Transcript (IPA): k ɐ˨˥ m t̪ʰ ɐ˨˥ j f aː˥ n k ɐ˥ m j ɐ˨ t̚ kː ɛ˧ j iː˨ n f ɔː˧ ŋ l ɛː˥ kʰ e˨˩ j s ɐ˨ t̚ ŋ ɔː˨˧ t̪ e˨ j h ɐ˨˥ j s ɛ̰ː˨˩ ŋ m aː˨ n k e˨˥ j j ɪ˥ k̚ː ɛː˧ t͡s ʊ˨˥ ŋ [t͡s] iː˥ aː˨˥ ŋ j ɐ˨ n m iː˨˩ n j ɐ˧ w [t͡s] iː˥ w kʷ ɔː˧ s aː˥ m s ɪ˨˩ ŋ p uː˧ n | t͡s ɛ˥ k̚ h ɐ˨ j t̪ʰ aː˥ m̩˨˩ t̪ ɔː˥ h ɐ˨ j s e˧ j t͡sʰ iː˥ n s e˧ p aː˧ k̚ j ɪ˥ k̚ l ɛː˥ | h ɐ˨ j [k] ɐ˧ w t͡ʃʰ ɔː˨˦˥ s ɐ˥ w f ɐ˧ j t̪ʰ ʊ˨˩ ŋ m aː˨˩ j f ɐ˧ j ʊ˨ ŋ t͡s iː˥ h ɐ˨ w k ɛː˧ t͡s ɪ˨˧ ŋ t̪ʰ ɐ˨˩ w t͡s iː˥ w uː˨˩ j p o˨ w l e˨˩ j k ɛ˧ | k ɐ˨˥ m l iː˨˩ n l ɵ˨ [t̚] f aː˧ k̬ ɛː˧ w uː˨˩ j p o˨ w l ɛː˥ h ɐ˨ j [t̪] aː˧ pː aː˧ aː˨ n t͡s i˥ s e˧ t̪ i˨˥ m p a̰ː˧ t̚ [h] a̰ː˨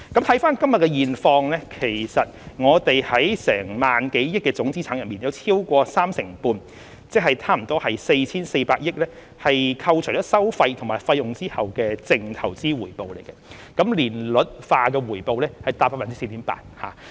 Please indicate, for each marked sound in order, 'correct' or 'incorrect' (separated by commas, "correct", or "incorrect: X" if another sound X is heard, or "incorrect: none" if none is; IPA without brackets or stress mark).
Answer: correct, incorrect: t͡sʰ, incorrect: kʰ, correct, correct, correct